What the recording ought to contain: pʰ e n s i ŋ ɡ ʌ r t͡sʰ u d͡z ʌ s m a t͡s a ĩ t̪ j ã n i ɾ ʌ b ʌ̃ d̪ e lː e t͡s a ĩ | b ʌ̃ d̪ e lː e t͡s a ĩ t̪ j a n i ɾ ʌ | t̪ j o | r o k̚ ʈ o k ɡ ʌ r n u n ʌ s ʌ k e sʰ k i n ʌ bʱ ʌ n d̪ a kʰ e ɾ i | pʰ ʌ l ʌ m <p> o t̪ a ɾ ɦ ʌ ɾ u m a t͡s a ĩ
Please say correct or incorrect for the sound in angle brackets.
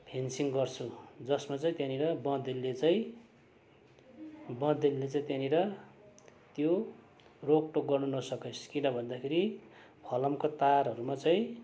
incorrect